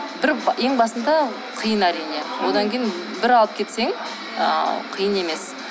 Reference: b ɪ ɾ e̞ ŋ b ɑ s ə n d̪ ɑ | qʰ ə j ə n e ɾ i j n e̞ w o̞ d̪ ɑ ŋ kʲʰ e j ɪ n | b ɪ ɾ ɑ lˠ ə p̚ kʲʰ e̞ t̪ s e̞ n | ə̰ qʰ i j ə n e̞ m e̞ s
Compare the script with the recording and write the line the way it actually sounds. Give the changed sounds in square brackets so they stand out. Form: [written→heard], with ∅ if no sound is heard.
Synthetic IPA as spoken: b ɪ ɾ e̞ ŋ b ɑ s ə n d̪ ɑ | qʰ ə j ə n [e→æ] ɾ i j n e̞ w o̞ d̪ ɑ ŋ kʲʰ e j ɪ n | b ɪ ɾ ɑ lˠ ə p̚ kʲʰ e̞ t̪ s e̞ [n→ŋ] | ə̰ qʰ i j ə n e̞ m e̞ s